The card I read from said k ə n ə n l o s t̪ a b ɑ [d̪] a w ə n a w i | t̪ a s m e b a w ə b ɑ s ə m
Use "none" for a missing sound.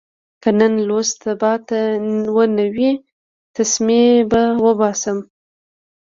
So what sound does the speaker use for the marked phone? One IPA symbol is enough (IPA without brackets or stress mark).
t̪